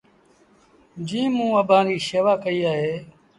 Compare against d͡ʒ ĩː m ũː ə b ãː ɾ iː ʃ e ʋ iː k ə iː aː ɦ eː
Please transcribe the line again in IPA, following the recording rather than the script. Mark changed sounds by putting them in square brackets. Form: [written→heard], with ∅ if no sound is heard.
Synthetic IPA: d͡ʒ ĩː m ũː ə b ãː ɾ iː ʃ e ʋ [iː→aː] k ə iː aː ɦ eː